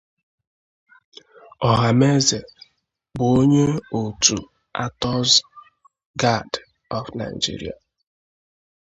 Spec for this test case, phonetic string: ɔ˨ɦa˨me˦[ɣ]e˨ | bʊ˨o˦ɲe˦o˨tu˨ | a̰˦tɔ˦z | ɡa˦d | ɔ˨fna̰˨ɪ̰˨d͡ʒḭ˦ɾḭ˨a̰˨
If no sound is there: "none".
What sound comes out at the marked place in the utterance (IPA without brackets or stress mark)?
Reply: z